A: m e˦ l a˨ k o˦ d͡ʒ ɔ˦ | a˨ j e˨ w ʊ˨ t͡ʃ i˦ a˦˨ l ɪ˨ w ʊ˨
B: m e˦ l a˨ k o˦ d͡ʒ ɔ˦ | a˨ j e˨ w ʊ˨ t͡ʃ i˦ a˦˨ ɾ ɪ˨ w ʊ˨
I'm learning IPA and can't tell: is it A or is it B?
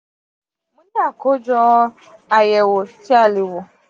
A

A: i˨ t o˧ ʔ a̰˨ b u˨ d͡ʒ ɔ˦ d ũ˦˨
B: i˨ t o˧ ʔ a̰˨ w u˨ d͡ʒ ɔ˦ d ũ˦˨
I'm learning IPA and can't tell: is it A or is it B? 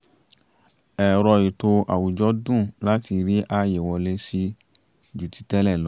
B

